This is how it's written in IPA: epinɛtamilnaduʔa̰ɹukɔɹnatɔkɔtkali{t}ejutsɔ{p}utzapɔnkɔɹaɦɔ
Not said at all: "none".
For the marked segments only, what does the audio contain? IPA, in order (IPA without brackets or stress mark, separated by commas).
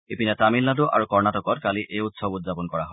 ʔ, b